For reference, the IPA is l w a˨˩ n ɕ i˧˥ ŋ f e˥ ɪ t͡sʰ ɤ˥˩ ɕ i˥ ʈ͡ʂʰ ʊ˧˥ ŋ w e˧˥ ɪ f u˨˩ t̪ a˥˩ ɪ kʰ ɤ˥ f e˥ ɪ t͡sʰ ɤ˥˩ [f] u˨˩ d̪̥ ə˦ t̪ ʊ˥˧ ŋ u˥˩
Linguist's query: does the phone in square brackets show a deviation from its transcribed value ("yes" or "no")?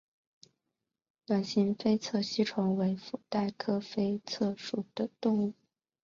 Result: yes